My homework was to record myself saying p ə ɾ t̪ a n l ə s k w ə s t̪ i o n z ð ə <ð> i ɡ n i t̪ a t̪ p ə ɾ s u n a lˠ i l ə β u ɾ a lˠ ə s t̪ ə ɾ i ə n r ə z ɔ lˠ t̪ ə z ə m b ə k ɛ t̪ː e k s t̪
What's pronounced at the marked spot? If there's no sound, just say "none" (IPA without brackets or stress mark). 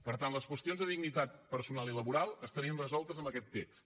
ð